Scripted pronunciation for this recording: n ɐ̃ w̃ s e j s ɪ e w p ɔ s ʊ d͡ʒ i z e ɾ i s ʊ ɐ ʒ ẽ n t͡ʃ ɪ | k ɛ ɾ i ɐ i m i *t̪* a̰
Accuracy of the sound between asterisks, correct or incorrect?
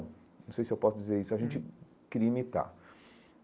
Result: correct